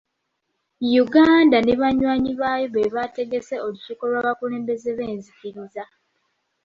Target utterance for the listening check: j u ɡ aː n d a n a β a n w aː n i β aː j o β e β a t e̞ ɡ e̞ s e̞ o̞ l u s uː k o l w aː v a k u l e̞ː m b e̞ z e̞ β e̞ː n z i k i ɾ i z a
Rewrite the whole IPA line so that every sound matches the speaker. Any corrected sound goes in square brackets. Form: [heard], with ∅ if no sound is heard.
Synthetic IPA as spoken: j u ɡ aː n d a n [e] β a [ɲ] w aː [ɲ] i β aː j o β e β a t e̞ ɡ e̞ s e̞ o̞ l u s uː k o l w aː [β] a k u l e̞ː m b e̞ z e̞ β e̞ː n z i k i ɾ i z a